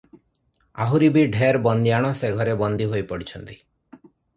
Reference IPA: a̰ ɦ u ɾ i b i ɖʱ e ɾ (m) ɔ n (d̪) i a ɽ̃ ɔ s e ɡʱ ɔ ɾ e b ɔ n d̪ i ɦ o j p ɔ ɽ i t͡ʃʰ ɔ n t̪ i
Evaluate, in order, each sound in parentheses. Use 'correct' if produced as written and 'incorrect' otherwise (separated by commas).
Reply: incorrect, correct